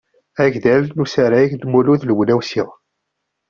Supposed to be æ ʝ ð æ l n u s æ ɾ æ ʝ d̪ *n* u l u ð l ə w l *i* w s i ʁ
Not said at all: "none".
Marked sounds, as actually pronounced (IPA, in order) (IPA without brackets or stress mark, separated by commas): m, æ